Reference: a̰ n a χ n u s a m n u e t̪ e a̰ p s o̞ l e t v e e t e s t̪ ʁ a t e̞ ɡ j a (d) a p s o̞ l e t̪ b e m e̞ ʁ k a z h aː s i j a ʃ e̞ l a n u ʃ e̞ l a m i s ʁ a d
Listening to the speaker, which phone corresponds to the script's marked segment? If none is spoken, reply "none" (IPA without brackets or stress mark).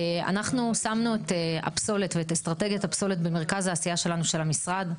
t